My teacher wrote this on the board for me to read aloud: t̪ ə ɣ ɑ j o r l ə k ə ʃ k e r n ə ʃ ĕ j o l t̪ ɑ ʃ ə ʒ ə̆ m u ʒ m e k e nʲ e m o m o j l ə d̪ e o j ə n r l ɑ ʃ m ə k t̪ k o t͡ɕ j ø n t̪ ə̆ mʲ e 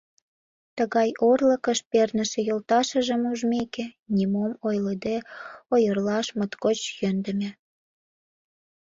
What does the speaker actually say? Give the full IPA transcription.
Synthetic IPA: t̪ ə ɣ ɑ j o r l ə k ə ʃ p e r n ə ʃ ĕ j o l t̪ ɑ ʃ ə ʒ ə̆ m u ʒ m e k e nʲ i m o m o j l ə d̪ e o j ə r l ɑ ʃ m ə t̪ k o t͡ɕ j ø n d̪ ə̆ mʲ e